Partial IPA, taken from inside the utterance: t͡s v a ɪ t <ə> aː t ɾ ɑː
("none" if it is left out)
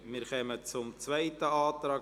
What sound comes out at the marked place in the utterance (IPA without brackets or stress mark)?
ə